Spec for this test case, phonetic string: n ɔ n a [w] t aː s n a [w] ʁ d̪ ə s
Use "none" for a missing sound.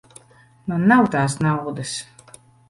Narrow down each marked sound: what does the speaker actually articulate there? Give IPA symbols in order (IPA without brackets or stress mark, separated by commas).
w, w